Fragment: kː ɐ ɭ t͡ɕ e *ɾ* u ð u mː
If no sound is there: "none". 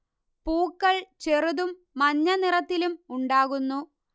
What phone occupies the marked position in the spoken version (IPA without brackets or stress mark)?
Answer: r